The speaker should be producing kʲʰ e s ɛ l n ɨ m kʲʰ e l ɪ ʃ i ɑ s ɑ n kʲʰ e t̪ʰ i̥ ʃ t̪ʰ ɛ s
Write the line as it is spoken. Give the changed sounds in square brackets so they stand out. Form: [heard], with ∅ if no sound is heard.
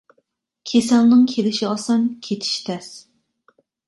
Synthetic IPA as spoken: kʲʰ e s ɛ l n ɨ [ŋ] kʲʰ e l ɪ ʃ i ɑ s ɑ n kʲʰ e t̪ʰ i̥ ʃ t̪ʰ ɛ s